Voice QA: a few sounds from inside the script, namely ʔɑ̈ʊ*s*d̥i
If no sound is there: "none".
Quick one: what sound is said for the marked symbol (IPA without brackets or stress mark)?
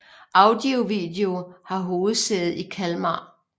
none